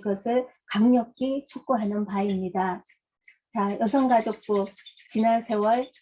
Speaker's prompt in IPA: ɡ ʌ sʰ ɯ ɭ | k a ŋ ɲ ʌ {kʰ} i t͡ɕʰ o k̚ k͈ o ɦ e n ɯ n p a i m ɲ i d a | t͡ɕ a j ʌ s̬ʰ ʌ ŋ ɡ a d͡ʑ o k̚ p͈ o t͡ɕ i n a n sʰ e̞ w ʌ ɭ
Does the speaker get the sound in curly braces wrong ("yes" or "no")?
no